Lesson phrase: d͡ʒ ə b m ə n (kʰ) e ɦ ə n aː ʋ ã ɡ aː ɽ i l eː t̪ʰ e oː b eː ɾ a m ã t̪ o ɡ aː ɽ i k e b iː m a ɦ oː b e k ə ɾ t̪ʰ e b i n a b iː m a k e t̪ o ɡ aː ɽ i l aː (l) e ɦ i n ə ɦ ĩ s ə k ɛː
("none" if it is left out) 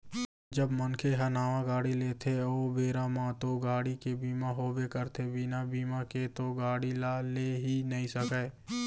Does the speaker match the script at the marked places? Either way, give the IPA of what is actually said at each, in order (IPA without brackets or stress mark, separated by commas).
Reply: kʰ, l